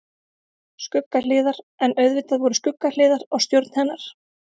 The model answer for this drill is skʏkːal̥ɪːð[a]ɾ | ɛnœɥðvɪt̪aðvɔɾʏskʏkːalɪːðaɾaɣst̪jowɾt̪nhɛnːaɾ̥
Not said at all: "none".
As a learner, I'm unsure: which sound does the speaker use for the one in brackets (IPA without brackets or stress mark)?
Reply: a